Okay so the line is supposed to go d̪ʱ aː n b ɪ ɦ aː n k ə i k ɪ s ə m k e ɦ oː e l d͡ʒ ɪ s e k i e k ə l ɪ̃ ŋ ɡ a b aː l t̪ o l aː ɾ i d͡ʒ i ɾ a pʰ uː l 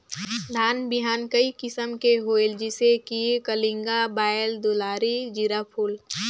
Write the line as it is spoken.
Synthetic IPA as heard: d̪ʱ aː n b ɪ ɦ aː n k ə i k ɪ s ə m k e ɦ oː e l d͡ʒ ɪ s e k i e k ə l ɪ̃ ŋ ɡ a b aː l d̪ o l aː ɾ i d͡ʒ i ɾ a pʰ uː l